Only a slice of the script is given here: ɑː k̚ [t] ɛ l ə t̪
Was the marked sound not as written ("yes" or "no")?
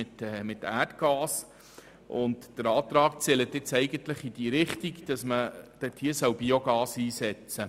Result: yes